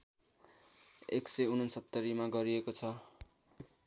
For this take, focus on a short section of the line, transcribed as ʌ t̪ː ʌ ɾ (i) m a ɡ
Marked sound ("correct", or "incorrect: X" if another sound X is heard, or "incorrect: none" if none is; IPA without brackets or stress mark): correct